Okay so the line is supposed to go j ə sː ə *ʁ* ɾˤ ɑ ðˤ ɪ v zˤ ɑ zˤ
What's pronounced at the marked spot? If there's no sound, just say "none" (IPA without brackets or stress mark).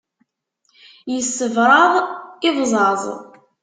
v